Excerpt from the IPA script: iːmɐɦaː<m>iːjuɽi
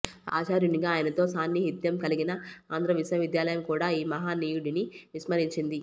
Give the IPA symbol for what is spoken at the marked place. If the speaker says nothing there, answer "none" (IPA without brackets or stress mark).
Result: n